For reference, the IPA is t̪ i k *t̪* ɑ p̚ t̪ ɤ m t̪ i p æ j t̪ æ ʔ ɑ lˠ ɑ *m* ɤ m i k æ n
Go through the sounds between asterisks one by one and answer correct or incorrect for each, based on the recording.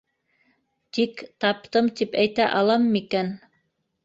correct, correct

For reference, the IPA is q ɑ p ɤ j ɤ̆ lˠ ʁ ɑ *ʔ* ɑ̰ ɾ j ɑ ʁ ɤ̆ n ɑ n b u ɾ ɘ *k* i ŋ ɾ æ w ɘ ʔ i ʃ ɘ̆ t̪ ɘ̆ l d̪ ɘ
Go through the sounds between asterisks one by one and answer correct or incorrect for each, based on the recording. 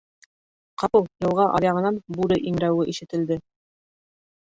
correct, incorrect

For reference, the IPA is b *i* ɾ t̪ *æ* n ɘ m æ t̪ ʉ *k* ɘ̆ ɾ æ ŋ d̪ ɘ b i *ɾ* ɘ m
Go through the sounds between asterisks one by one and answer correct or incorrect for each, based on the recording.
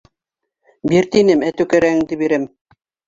correct, incorrect, correct, correct

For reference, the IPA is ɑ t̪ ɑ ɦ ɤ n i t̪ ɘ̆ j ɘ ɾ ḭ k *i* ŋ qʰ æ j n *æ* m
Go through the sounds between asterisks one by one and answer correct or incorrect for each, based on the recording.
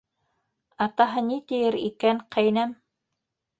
incorrect, correct

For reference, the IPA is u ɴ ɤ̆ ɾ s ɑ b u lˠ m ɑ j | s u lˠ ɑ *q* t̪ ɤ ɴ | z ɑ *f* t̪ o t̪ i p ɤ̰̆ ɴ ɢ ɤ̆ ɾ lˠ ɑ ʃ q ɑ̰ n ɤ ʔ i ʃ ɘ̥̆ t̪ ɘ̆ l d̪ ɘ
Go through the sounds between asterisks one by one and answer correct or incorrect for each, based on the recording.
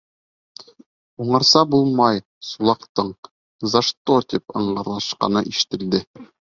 correct, incorrect

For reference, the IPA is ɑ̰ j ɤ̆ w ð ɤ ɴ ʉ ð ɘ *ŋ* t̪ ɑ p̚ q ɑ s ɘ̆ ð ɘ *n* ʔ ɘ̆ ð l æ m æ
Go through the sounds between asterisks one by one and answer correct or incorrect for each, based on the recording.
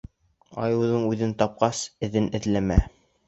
incorrect, correct

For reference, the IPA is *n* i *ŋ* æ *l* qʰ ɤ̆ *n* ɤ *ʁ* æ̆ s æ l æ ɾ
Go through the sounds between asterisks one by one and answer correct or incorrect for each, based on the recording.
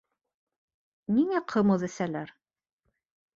correct, correct, incorrect, incorrect, incorrect

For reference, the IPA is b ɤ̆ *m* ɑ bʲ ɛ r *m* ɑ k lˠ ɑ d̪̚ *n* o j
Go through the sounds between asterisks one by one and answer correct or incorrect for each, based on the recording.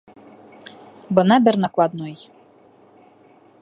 incorrect, incorrect, correct

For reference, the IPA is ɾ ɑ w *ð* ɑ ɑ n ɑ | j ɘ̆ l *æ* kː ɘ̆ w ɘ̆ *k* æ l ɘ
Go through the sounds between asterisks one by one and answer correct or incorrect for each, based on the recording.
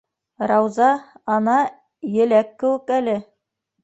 incorrect, correct, correct

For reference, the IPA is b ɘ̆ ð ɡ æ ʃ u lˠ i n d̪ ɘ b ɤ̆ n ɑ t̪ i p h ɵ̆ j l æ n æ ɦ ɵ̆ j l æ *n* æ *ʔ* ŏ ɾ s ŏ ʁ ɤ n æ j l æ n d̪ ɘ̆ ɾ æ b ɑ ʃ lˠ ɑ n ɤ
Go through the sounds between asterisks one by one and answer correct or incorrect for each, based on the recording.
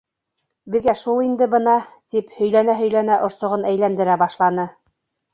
correct, correct

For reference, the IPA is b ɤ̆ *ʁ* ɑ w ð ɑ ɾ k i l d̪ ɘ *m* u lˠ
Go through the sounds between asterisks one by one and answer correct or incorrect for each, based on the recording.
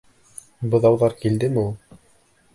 incorrect, correct

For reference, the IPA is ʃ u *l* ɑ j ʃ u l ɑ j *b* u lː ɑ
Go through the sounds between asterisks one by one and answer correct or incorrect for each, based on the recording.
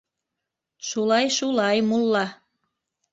correct, incorrect

